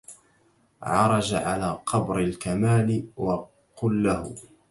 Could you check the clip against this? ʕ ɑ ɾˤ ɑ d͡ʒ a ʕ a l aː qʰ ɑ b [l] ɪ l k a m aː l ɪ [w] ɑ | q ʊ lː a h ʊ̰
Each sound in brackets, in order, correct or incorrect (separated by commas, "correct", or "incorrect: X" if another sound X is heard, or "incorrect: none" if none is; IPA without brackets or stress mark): incorrect: ɾ, correct